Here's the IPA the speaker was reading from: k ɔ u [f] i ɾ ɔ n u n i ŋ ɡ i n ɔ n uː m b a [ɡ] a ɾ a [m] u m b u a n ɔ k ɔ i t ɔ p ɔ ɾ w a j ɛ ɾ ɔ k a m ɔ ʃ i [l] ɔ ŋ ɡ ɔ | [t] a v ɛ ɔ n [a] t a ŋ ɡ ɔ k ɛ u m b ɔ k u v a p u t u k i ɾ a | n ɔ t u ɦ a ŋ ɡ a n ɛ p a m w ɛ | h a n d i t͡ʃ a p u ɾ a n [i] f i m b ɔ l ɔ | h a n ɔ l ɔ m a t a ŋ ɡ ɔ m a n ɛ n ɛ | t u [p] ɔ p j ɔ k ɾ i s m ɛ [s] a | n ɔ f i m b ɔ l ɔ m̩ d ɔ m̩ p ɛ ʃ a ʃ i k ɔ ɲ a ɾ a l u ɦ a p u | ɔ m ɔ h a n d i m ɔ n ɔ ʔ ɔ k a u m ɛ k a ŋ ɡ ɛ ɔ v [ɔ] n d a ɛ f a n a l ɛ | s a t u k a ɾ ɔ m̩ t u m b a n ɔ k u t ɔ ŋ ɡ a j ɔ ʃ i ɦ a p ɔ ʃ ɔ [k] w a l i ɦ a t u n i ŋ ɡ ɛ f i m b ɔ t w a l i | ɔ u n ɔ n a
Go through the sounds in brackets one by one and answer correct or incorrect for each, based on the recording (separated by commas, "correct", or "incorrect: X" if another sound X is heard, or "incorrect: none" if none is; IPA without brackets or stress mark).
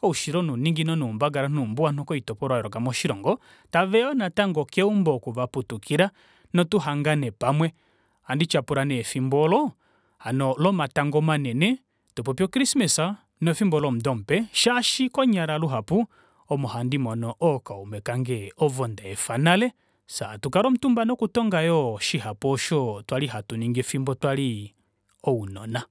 incorrect: ʃ, correct, incorrect: n, incorrect: ɾ, correct, correct, incorrect: ɛ, correct, correct, correct, incorrect: t